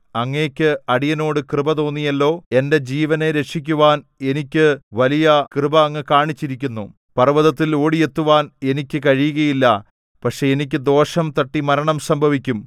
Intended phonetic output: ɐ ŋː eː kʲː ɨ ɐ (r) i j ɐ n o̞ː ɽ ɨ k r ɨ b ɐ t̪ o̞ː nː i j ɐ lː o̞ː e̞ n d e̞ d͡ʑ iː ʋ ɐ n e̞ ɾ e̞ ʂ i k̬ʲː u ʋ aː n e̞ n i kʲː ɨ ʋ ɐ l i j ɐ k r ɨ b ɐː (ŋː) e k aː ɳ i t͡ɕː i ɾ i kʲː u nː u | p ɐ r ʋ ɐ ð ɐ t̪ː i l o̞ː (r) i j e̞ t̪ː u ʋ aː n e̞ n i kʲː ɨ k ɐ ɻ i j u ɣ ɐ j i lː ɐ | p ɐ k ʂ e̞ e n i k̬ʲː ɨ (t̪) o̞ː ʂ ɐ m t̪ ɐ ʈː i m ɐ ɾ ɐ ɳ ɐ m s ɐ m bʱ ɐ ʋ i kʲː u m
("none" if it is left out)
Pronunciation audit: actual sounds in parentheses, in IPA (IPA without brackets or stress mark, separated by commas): ɽ, ŋː, ɽ, d̪